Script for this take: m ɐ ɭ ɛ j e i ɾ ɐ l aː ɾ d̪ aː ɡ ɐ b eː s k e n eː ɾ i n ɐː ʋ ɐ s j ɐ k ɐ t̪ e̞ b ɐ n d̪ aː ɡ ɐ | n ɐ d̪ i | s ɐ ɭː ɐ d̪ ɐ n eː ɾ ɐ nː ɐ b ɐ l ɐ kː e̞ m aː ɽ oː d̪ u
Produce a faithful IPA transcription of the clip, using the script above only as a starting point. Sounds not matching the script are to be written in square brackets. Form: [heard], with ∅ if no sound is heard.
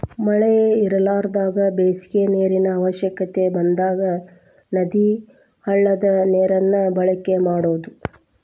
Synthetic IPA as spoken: m ɐ ɭ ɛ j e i ɾ ɐ l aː ɾ d̪ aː ɡ ɐ b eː s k e n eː ɾ i n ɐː ʋ ɐ [ʃ] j ɐ k ɐ t̪ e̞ b ɐ n d̪ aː ɡ ɐ | n ɐ d̪ i | [h] ɐ ɭː ɐ d̪ ɐ n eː ɾ ɐ nː ɐ b ɐ [ɭ] ɐ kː e̞ m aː ɽ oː d̪ u